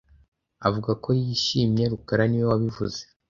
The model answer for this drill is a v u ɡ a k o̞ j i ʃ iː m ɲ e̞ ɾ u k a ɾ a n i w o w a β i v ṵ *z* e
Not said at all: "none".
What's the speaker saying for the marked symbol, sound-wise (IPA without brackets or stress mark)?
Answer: z